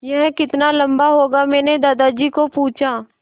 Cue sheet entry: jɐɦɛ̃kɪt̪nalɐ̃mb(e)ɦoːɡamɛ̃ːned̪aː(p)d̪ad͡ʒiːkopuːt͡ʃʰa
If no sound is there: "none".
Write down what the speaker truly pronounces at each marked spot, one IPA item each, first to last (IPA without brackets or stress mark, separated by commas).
a, none